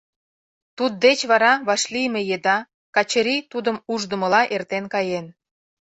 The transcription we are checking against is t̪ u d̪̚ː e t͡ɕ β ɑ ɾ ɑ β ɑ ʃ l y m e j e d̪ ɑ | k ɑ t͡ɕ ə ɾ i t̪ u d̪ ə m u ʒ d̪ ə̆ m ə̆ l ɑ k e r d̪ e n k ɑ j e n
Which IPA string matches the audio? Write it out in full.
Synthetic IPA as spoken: t̪ u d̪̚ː e t͡ɕ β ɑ ɾ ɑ β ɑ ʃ l i m e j e d̪ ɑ | k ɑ t͡ɕ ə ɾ i t̪ u d̪ ə m u ʒ d̪ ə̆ m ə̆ l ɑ ʔ e r t̪ e n k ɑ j e n